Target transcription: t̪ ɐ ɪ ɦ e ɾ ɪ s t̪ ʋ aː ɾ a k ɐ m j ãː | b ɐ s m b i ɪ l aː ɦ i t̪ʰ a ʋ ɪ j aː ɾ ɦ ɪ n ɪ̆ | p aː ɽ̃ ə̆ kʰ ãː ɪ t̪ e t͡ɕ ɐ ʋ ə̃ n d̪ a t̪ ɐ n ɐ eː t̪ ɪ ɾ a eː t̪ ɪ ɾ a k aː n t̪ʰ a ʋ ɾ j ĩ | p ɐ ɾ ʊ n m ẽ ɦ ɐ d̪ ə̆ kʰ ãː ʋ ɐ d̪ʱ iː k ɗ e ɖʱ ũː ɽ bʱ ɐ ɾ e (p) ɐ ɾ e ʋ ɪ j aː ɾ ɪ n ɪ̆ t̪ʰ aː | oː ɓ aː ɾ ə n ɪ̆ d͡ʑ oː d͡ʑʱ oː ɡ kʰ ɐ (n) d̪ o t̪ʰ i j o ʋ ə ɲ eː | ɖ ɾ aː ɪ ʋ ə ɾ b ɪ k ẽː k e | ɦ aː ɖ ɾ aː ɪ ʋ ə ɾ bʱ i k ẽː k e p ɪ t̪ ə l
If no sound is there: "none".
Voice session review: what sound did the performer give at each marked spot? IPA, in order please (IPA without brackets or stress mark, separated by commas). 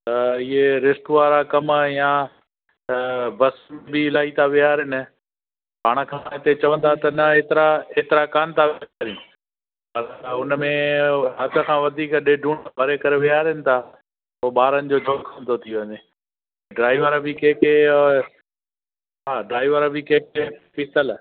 k, n